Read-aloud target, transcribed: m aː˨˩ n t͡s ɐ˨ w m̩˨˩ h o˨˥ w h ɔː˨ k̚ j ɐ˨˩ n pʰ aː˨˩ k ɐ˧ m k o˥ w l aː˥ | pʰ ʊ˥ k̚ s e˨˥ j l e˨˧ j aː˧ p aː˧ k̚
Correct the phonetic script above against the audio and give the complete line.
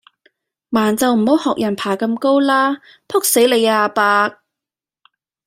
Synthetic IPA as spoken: m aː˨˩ n t͡s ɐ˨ w m̩˨˩ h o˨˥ w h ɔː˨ k̚ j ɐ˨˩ n pʰ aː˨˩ k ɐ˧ m k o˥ w l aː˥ | pʰ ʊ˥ k̚ s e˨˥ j l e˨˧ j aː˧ p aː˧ k̚